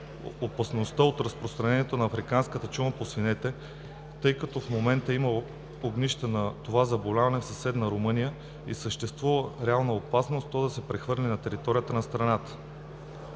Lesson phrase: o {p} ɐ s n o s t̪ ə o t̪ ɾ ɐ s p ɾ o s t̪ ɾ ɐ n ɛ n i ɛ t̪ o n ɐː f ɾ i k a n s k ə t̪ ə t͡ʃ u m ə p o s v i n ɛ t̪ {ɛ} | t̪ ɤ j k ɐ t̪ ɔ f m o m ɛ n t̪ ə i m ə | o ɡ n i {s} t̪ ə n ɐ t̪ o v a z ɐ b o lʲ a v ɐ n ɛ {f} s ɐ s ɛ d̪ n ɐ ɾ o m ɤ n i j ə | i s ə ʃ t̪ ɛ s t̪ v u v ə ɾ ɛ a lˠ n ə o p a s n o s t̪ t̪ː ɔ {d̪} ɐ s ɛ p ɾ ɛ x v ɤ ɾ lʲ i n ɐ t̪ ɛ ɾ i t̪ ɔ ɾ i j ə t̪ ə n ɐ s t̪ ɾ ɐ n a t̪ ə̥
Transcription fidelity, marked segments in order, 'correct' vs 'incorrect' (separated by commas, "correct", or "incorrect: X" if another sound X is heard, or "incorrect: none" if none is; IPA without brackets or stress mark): correct, correct, incorrect: ʃ, correct, correct